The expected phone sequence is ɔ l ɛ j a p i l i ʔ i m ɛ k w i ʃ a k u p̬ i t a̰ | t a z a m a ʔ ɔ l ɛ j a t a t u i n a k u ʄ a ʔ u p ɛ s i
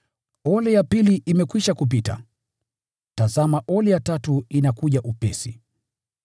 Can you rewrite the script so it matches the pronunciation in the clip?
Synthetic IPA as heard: ɔ l ɛ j a p i l i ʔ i m ɛ k w i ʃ a k u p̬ i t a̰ | t a z a m a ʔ ɔ l ɛ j a t a t u i n a k u ʄ a ʔ u p ɛ s i